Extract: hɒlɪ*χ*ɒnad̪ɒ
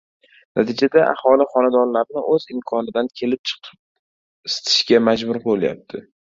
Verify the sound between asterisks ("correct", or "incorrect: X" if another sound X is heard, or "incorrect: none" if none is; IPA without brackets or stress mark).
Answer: correct